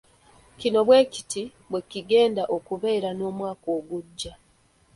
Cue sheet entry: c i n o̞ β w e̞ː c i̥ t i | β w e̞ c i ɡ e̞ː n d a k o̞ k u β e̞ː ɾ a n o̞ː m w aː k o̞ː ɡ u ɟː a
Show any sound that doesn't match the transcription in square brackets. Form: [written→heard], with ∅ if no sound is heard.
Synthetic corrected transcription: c i n o̞ β w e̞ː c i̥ t i | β w e̞ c i ɡ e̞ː n d a [k→ʔ] o̞ k u β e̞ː ɾ a n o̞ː m w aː k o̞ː ɡ u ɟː a